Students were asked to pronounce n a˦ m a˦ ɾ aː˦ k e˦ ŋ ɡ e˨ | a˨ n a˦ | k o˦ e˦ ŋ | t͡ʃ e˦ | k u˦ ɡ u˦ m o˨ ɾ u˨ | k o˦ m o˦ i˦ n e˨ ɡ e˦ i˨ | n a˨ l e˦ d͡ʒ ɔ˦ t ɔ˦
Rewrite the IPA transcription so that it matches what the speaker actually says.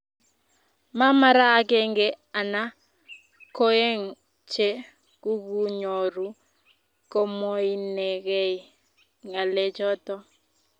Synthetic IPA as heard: m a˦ m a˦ ɾ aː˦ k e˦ ŋ ɡ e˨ | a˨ n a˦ | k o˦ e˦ ŋ | t͡ʃ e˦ | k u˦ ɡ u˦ ɲ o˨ ɾ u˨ | k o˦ m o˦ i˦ n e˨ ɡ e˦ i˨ | ŋ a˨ l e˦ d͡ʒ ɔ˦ t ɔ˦